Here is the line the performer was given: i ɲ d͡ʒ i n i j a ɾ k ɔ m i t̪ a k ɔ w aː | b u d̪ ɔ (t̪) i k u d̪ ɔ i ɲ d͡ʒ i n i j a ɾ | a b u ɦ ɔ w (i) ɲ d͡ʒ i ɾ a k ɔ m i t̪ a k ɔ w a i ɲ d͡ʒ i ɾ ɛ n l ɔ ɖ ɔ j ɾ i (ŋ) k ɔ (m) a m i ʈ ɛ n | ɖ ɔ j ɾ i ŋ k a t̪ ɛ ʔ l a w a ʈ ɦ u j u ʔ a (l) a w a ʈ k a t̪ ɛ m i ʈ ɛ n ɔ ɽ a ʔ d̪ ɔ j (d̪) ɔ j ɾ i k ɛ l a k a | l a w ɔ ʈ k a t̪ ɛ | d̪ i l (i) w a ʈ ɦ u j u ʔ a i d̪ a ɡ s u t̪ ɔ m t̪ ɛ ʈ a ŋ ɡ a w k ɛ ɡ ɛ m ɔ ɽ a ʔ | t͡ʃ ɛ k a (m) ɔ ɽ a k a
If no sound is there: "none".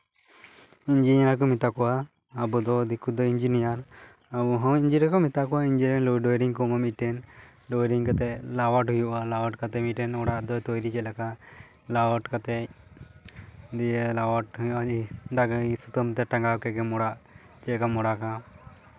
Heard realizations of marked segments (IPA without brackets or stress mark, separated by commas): d̪, i, ŋ, m, l, t̪, a, m